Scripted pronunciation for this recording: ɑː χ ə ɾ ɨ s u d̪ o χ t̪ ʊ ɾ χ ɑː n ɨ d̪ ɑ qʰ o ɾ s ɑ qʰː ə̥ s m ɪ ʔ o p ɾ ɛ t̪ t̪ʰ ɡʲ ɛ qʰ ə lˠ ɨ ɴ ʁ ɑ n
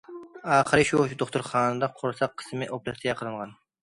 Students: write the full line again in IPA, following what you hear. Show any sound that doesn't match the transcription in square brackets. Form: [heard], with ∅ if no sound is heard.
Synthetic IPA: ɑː χ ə ɾ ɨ [ʃ] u d̪ o χ t̪ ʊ ɾ χ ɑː n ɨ d̪ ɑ qʰ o ɾ s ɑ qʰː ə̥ s m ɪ ʔ o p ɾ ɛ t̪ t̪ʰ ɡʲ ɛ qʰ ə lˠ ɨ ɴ ʁ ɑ n